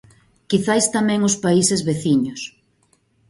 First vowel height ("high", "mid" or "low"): high